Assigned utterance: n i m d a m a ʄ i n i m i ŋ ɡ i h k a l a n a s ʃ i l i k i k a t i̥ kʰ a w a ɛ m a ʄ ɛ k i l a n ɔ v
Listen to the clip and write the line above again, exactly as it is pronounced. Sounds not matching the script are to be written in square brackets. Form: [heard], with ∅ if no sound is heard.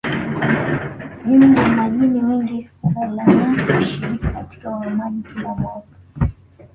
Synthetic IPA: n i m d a m a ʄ i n i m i ŋ ɡ i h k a l a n a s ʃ i [ɾ] i k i k a t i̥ [k] a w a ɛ m a ʄ [i] k i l a [m] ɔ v